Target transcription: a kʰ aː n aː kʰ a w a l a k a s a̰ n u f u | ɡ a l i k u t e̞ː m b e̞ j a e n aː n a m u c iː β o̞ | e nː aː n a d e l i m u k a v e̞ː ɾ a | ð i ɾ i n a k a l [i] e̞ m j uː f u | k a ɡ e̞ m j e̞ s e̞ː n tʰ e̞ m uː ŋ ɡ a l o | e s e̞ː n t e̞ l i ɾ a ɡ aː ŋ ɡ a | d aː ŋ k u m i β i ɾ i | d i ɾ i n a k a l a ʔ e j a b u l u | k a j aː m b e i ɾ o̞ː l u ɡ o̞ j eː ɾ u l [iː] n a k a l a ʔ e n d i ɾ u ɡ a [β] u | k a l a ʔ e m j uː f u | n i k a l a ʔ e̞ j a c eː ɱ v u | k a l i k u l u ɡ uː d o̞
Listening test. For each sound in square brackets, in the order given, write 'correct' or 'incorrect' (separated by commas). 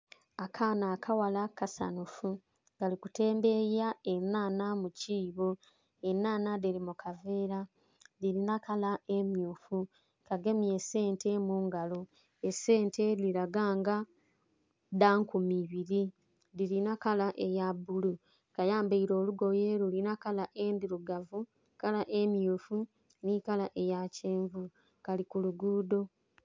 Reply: incorrect, incorrect, incorrect